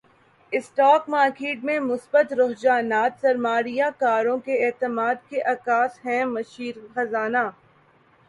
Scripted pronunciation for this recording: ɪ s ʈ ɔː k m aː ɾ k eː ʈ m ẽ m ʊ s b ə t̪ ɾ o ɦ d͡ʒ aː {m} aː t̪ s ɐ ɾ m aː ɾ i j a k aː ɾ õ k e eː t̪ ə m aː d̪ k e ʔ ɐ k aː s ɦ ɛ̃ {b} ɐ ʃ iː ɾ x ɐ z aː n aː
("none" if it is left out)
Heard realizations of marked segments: n, m

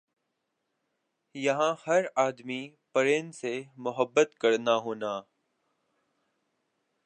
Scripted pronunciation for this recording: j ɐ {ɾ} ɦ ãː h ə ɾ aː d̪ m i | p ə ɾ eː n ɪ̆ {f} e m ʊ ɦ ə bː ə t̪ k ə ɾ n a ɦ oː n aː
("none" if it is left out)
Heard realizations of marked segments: none, s

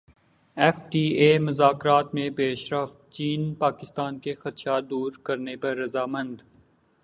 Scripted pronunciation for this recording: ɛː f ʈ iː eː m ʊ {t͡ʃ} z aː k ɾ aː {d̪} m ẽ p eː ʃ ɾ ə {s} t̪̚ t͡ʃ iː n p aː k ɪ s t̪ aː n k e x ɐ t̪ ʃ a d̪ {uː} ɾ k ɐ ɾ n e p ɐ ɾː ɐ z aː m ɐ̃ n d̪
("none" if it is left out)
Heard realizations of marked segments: none, t̪, f, uː

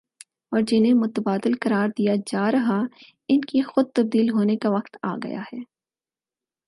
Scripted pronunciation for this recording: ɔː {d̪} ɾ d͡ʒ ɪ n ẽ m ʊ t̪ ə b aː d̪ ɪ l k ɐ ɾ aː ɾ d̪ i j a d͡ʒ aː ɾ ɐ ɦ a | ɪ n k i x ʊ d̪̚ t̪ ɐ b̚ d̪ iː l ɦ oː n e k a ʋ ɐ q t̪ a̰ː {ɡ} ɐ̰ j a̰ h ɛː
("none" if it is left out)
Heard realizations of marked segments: none, ɡ

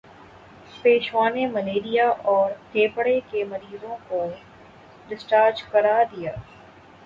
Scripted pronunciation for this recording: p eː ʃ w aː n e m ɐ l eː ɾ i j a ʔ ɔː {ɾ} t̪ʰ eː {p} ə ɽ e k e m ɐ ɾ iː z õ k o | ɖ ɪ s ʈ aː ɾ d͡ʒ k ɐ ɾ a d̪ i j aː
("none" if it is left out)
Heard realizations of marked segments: ɾ, p

